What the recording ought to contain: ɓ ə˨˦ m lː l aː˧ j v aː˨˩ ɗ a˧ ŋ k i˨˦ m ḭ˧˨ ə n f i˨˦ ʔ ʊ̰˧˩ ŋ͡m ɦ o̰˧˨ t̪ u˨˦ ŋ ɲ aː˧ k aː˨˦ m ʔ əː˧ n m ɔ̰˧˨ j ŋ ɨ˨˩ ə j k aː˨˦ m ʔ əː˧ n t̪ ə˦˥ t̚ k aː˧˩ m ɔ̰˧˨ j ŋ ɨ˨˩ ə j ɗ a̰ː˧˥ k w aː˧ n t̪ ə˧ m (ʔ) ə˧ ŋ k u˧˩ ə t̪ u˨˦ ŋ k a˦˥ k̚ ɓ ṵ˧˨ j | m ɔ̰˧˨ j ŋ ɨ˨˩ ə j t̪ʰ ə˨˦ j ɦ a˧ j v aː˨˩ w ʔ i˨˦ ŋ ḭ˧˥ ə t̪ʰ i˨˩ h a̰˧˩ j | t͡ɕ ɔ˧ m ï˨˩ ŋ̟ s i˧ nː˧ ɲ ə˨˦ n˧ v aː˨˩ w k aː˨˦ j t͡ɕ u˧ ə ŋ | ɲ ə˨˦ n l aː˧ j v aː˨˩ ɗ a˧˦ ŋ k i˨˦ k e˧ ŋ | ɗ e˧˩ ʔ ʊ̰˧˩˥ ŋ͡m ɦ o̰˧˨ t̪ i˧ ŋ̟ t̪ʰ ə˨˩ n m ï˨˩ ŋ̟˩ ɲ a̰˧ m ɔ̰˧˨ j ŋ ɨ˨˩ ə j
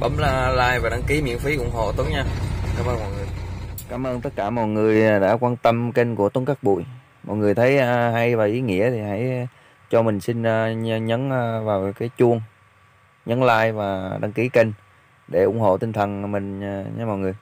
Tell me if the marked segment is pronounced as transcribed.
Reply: no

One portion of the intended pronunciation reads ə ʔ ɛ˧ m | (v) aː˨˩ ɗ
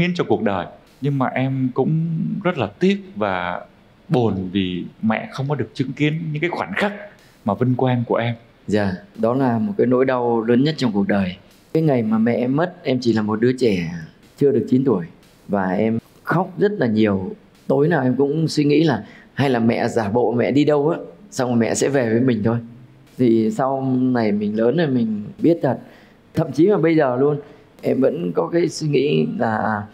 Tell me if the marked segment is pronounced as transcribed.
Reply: no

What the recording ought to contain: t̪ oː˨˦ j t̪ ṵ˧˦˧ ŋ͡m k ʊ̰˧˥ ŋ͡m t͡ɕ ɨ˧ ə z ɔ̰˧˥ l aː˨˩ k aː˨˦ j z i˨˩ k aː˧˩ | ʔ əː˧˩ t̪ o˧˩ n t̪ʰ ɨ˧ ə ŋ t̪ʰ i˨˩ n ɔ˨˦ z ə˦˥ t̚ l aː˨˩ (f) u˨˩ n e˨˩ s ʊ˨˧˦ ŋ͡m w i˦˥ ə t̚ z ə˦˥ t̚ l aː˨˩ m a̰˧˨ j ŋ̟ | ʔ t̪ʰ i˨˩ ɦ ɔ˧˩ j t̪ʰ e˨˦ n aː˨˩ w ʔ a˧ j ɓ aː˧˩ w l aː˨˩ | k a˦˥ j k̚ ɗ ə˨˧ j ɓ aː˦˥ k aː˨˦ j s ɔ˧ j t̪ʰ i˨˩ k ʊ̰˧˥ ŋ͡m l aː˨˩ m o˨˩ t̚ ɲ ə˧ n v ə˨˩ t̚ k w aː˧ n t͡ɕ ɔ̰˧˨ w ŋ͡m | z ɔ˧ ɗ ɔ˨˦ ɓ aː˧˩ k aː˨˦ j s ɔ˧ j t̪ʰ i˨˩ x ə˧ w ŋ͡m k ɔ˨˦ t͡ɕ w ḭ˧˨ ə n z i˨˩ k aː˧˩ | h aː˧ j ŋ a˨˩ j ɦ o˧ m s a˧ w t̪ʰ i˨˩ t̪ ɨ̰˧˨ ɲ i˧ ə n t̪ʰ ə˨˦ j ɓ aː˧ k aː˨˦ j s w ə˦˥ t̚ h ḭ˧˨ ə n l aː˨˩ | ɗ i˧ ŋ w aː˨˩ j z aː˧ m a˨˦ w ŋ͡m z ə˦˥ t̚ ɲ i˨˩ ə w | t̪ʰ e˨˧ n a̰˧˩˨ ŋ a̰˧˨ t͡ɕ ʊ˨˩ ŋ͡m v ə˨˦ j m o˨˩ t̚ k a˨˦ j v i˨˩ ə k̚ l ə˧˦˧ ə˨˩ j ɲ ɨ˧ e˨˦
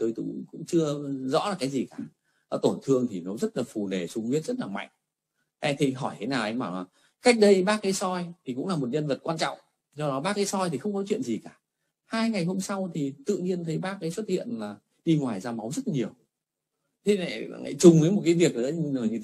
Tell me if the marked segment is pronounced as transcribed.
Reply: yes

